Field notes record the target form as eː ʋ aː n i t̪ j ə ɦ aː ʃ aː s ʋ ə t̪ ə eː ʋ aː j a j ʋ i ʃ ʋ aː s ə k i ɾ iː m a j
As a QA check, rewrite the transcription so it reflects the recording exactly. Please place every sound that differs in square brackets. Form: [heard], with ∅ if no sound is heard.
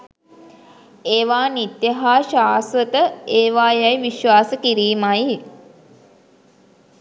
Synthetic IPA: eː ʋ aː n i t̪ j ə ɦ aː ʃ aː s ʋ ə t̪ ə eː ʋ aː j a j ʋ i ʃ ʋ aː s ə k i ɾ iː m a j